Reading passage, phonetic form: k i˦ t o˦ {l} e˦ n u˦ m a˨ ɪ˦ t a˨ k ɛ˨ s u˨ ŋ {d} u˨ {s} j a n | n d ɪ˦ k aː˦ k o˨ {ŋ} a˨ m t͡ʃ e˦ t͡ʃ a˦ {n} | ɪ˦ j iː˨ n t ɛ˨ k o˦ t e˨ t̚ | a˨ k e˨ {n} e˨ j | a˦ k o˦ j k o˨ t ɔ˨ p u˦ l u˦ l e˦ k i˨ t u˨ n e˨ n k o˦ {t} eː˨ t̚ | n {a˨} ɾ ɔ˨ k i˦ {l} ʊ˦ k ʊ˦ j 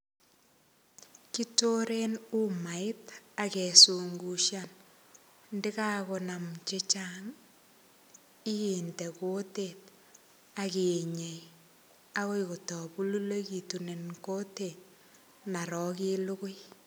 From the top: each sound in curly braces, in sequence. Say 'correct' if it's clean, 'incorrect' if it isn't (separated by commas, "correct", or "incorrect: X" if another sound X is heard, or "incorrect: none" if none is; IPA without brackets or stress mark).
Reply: incorrect: ɾ, incorrect: ɡ, incorrect: ʃ, incorrect: n, incorrect: ŋ, incorrect: ɲ, correct, correct, correct